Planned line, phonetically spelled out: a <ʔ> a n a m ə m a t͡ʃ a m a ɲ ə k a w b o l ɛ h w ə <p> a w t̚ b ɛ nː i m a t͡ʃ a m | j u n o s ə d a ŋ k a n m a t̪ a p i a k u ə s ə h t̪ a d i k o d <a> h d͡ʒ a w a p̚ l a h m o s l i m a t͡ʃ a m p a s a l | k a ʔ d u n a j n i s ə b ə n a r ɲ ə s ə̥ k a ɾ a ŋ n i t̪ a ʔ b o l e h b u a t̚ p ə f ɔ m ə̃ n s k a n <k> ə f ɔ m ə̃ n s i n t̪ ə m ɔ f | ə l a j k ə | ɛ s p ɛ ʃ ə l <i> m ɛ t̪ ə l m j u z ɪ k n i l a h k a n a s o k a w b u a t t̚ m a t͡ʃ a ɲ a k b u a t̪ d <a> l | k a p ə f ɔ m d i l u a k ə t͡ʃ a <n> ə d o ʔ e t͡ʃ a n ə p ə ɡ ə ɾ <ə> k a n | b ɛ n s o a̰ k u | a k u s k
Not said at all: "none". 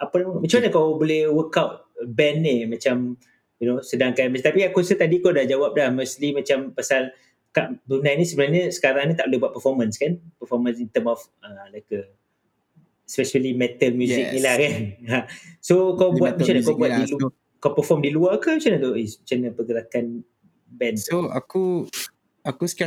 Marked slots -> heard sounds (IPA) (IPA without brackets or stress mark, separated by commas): p, k, a, p, i, i, n, a